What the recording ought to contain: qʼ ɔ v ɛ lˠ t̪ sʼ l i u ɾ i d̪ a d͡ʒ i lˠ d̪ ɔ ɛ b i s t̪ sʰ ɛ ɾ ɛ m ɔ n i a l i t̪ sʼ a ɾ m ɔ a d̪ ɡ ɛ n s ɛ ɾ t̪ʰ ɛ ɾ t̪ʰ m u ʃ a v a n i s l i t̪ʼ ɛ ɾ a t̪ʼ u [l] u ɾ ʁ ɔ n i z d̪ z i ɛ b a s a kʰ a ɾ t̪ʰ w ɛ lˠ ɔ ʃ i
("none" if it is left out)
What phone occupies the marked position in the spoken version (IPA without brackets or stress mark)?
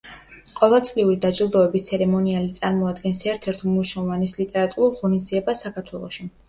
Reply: ɾ